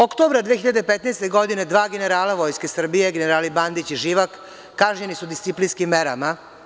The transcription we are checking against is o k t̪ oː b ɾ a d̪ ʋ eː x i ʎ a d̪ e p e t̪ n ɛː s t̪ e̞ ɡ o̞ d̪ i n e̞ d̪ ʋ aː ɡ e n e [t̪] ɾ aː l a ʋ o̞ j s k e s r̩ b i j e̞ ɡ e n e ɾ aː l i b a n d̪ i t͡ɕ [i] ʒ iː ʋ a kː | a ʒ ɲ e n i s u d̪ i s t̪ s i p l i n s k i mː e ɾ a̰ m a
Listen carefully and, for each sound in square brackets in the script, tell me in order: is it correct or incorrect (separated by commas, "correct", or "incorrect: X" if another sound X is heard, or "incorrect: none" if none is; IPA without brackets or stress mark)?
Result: incorrect: none, correct